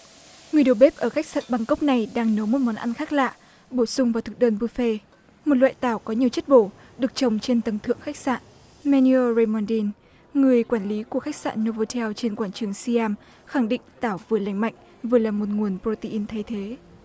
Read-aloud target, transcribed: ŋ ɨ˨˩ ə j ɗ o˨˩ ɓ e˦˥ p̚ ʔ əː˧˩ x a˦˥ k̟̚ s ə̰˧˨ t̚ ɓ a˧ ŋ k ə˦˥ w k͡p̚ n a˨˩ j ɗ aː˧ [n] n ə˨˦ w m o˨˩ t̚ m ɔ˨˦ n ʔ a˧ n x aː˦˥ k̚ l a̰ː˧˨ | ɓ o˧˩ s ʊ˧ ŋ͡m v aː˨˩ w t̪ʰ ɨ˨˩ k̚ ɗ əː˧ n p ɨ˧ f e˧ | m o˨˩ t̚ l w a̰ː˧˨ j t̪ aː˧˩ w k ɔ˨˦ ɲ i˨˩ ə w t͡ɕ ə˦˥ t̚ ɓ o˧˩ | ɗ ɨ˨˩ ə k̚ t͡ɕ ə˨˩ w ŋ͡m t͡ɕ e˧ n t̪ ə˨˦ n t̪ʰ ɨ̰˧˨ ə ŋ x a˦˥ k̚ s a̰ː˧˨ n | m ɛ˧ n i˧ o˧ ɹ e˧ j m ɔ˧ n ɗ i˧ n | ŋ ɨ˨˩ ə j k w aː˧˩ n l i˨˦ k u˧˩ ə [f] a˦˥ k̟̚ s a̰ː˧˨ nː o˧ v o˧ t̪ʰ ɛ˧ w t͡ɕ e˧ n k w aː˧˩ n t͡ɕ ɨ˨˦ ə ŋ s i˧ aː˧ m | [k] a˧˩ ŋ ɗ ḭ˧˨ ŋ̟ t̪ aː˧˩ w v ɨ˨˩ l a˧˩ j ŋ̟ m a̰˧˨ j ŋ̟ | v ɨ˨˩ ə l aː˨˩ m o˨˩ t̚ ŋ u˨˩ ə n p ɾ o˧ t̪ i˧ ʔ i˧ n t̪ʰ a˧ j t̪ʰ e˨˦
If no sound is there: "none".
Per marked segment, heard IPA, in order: ŋ, x, x

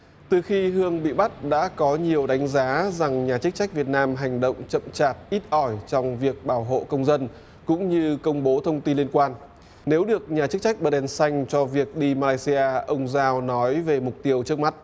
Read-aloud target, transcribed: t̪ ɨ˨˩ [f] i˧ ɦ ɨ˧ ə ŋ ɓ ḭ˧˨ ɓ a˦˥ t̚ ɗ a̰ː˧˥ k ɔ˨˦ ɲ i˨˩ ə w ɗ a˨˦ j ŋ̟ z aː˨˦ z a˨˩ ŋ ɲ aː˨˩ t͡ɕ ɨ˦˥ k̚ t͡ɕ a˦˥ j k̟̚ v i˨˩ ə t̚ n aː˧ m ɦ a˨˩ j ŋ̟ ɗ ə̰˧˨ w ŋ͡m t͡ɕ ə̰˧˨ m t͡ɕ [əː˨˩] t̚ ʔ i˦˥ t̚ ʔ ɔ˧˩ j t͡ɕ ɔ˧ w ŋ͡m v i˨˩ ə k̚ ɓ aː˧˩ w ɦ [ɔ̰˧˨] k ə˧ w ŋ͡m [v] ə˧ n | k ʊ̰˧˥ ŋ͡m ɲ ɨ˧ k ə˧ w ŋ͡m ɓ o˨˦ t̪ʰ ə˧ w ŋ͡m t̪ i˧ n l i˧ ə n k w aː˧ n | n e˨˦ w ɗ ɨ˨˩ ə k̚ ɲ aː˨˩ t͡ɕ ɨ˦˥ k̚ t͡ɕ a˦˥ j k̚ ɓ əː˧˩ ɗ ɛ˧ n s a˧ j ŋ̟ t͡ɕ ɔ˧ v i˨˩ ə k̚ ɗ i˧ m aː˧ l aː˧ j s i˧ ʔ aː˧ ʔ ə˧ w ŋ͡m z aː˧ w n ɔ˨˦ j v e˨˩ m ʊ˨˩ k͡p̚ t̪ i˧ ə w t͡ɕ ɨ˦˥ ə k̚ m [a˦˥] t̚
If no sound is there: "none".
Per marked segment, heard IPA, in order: x, aː˨˩, o̰˧˨, z, a˦˥

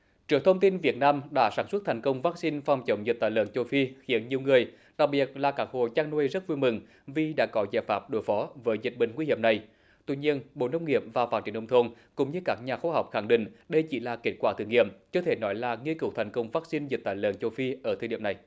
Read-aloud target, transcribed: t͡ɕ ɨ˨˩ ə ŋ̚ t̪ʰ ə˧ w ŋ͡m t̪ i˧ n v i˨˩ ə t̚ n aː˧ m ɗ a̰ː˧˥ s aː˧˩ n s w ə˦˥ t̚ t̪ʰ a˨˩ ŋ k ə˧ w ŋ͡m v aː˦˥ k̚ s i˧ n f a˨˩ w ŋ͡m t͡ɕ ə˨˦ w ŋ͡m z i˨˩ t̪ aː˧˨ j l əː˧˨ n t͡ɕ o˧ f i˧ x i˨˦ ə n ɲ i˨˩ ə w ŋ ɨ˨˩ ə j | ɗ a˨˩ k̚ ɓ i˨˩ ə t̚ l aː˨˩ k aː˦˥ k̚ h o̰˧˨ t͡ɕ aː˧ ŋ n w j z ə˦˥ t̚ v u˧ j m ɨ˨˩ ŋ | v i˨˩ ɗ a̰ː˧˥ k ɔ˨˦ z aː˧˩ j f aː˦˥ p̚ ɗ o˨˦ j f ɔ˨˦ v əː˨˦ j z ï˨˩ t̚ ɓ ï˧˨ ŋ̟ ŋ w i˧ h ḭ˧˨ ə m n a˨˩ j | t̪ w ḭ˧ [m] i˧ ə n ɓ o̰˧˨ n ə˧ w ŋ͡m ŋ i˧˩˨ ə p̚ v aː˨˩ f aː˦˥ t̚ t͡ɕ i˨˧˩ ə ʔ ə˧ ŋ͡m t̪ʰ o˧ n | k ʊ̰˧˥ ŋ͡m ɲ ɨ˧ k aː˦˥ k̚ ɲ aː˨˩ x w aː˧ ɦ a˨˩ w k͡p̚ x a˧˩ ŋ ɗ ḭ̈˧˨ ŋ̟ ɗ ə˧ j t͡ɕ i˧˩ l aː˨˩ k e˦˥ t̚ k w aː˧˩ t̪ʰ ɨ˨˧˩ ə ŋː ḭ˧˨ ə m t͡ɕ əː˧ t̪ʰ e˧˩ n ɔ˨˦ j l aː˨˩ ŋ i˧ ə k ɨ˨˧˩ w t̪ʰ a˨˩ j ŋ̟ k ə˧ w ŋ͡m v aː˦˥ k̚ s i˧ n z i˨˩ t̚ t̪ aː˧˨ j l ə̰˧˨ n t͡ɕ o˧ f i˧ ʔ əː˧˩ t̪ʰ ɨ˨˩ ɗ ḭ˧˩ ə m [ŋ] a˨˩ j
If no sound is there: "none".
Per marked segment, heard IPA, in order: ɲ, n

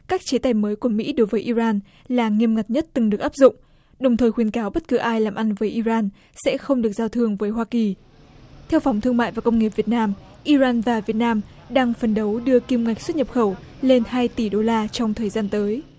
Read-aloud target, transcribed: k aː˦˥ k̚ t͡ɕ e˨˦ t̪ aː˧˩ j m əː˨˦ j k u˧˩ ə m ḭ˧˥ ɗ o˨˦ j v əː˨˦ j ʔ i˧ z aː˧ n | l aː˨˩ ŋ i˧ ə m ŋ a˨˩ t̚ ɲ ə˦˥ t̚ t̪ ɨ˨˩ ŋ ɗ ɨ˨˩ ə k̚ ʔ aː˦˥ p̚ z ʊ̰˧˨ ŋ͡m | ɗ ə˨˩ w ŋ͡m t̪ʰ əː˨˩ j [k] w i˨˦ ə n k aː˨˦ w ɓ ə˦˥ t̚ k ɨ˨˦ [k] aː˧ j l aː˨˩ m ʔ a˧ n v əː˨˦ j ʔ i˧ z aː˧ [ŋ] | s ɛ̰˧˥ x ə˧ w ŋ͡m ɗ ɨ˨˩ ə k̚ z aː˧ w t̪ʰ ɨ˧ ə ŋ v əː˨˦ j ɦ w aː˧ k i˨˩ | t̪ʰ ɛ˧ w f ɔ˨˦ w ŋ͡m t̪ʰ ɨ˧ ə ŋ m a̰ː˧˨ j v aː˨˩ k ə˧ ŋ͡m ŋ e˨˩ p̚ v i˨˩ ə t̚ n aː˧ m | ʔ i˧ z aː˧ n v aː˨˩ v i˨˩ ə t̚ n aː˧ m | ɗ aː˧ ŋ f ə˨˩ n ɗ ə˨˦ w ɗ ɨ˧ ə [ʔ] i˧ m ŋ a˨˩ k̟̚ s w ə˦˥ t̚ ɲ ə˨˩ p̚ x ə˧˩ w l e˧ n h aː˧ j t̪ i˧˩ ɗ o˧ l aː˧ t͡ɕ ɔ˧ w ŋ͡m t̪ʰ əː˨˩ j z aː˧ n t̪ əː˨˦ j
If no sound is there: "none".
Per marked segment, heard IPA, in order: x, ʔ, n, k

